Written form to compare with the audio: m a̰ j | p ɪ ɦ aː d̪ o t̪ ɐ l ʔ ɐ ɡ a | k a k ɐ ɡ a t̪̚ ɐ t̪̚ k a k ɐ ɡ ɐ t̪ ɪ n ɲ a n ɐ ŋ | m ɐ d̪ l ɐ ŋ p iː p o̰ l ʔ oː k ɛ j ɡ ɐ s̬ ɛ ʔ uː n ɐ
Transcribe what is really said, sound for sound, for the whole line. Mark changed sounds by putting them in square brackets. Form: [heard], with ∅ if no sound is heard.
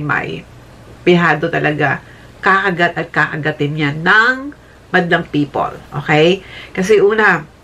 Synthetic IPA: m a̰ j | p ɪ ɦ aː d̪ o t̪ ɐ l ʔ ɐ ɡ a | k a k ɐ ɡ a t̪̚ ɐ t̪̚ k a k ɐ ɡ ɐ t̪ ɪ n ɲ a n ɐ ŋ | m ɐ d̪ l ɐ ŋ p iː p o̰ l ʔ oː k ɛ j [k] ɐ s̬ ɛ ʔ uː n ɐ